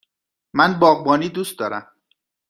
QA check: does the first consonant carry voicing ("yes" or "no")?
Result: yes